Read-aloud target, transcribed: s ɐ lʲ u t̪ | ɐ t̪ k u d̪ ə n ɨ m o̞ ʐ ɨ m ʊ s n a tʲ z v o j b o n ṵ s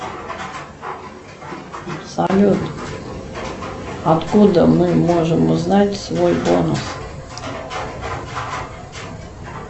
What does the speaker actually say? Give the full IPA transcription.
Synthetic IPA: s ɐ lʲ u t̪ | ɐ t̪ k u d̪ ə m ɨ m o̞ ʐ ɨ m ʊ z n a tʲ s v o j b o n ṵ s

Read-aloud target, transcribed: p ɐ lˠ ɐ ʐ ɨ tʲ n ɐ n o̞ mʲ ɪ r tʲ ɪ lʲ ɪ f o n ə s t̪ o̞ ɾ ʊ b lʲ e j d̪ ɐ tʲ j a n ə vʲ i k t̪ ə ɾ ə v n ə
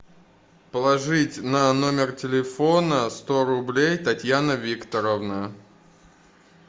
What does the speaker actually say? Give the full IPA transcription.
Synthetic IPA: p ə lˠ ɐ ʐ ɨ tʲ n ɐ n o̞ mʲ ɪ r tʲ ɪ lʲ ɪ f o n ə s t̪ o̞ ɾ ʊ b lʲ e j t̪ ɐ tʲ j a n ə vʲ i k t̪ ə ɾ ə v n ə

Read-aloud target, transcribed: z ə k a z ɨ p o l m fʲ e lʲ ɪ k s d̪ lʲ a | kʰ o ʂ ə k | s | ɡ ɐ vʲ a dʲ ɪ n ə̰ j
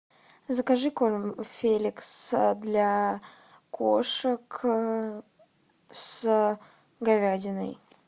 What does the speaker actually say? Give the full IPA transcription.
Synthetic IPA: z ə k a ʐ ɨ k o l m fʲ e lʲ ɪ k s d̪ lʲ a | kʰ o ʂ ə k | s | ɡ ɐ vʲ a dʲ ɪ n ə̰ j

